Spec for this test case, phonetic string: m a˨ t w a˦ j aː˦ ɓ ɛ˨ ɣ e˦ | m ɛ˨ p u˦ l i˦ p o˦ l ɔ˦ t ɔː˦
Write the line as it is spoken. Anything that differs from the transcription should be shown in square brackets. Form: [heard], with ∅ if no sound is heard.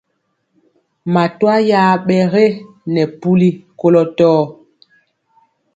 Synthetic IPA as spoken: m a˨ t w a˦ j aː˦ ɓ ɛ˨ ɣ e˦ | [n] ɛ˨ p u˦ l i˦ [k] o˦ l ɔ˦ t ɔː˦

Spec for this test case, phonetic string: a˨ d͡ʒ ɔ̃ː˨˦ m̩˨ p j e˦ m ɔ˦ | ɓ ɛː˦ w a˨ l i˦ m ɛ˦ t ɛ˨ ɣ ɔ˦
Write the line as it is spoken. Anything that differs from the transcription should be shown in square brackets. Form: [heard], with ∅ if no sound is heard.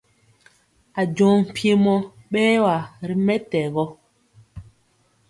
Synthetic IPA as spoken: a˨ d͡ʒ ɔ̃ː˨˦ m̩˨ p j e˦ m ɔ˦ | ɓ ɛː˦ w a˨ [ɾ] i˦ m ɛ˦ t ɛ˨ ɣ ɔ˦

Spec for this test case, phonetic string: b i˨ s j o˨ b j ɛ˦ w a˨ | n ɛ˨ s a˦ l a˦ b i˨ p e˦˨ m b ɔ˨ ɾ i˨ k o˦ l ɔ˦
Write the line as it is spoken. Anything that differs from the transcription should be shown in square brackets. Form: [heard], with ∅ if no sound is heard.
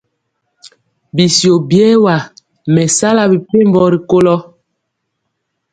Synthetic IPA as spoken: b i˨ s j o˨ b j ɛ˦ w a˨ | [m] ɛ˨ s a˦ l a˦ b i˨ p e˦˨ m b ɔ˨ ɾ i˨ k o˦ l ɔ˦

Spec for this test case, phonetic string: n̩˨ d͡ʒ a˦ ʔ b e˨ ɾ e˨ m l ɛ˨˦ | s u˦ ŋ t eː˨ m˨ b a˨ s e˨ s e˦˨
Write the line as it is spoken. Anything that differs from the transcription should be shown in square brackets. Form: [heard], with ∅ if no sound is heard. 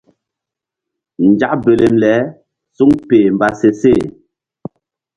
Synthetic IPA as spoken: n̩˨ d͡ʒ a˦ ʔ b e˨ [l] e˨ m l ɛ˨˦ | s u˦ ŋ [p] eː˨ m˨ b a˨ s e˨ s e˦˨

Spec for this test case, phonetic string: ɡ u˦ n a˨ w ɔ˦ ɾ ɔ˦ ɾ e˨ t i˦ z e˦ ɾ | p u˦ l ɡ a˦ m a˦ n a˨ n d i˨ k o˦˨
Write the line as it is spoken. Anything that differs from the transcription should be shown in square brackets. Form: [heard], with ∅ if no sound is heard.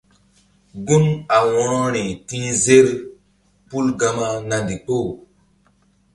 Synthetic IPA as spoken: ɡ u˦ n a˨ w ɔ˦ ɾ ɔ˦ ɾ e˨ t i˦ z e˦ ɾ | p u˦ l ɡ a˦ m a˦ n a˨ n d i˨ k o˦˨

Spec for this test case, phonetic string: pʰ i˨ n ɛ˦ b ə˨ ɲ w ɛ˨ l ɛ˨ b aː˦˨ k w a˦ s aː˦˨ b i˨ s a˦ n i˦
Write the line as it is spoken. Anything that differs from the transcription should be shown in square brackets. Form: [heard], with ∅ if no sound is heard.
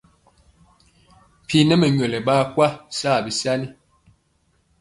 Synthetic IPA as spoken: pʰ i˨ n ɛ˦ [m] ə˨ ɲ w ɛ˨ l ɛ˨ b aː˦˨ k w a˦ s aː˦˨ b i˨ s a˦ n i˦

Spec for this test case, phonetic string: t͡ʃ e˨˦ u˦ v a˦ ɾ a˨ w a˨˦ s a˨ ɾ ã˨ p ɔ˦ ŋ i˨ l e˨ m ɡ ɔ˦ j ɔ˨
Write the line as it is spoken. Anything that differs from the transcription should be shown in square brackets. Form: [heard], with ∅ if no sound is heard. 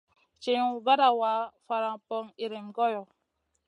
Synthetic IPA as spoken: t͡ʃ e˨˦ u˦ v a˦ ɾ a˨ w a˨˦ [f] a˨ ɾ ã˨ p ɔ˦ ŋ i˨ [ɾ] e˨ m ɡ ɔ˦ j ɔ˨

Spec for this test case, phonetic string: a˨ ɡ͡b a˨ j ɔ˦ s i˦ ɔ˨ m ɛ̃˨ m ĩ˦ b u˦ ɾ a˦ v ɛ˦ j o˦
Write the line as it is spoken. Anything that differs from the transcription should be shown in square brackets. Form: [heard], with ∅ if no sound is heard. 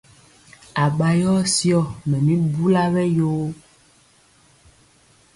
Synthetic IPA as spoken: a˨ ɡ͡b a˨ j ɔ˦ s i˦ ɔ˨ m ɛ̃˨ m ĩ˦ b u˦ [l] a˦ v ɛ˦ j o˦

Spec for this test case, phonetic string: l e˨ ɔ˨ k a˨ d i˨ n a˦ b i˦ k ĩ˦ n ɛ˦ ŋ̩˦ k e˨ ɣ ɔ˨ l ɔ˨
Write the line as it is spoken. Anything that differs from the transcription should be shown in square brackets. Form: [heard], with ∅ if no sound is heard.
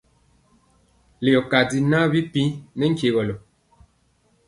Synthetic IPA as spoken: l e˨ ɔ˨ k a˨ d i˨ n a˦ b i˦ [p] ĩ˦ n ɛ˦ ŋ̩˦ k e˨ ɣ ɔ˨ l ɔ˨

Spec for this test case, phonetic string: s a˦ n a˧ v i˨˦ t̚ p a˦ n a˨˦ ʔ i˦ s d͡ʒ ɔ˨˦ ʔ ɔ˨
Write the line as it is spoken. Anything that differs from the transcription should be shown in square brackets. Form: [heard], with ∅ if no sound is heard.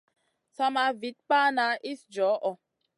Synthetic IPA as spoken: s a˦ [m] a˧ v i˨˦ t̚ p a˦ n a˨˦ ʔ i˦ s d͡ʒ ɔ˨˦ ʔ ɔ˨

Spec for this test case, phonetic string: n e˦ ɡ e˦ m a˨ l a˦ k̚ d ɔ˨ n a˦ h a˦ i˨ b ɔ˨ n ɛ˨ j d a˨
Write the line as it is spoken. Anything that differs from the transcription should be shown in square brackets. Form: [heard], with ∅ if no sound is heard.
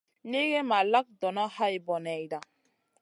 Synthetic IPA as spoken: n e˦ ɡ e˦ m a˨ l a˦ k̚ d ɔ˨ n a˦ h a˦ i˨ b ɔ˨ n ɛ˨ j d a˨

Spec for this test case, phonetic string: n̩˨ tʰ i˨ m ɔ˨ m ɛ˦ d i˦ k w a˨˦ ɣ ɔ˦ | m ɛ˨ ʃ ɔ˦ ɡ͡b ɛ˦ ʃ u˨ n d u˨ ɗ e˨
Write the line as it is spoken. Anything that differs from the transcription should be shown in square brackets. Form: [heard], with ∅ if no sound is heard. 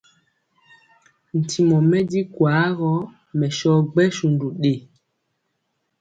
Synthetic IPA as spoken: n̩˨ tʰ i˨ m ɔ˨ m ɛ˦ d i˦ k w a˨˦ ɣ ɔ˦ | m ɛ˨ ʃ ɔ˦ ɡ͡b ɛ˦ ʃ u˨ n d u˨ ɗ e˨

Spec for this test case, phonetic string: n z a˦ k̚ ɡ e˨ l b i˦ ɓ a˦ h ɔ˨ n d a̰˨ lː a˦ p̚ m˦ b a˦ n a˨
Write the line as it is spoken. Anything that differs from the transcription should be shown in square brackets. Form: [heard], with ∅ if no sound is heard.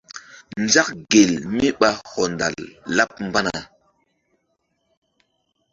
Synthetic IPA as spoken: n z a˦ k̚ ɡ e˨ l [m] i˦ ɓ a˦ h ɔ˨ n d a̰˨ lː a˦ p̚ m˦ b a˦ n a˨

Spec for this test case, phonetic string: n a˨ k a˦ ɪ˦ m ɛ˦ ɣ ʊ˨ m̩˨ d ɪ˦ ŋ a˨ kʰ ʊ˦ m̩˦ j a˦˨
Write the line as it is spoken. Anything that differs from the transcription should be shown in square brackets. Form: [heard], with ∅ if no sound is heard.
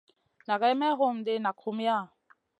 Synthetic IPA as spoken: n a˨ k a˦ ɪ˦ m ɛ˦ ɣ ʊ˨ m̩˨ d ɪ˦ [n] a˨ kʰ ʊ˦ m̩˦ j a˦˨

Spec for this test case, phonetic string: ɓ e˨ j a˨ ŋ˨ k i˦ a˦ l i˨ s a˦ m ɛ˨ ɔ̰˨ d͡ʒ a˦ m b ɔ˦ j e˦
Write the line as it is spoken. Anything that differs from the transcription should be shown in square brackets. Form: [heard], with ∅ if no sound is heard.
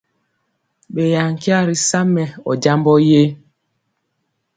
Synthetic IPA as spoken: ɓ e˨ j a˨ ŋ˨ k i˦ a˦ [ɾ] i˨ s a˦ m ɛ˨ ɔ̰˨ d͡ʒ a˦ m b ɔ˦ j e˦

